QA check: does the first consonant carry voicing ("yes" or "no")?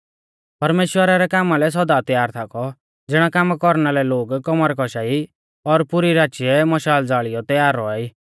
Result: no